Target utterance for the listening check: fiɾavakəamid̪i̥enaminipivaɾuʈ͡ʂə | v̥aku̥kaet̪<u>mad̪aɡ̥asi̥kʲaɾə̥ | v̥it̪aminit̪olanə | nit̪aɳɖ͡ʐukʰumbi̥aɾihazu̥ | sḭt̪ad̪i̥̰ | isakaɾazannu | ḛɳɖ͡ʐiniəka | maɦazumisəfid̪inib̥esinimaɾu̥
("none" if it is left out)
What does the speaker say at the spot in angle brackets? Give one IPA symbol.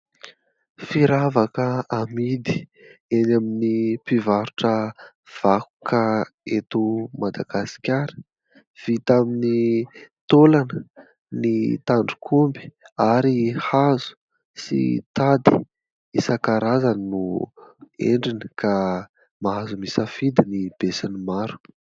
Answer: u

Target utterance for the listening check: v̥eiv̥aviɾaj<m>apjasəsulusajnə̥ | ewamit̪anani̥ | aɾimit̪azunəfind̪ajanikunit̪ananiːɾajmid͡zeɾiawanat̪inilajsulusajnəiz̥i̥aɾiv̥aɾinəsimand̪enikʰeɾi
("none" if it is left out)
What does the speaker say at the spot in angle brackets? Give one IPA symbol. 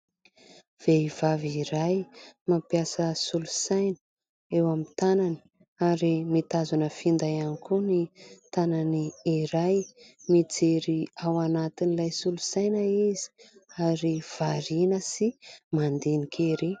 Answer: m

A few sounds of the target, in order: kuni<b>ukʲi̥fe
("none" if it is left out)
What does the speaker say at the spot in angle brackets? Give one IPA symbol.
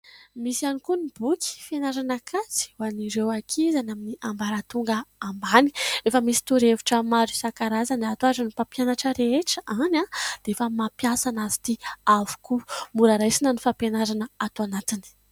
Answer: b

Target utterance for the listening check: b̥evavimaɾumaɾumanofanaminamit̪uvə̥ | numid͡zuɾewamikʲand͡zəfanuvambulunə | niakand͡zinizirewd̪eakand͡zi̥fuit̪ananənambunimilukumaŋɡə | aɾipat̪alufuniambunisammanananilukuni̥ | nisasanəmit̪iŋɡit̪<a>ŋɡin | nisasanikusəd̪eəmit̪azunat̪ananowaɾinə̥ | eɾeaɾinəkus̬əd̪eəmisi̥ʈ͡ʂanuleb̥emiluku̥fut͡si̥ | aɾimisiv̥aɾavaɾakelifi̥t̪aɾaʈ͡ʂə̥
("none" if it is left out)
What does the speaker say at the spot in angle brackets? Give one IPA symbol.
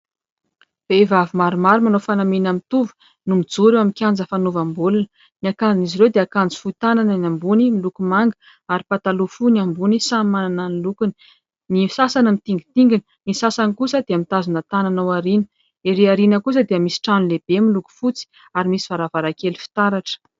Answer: i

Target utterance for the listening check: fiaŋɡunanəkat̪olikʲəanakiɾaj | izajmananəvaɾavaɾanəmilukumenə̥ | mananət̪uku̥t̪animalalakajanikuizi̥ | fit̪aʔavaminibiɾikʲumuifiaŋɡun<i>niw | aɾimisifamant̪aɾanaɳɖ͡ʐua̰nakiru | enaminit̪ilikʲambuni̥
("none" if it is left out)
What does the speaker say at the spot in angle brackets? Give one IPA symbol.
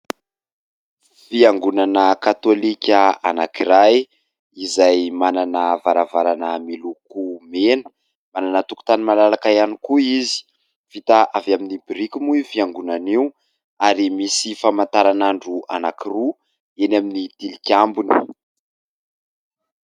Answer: a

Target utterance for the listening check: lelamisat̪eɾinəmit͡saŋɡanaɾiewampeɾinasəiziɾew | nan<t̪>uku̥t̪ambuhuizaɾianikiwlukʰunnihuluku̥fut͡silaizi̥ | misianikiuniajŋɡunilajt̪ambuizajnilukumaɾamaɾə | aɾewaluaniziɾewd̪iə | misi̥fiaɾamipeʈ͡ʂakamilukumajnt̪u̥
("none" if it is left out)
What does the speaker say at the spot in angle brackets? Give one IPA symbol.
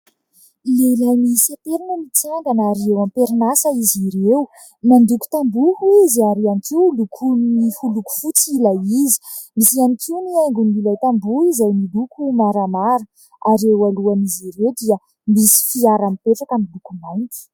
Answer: d̪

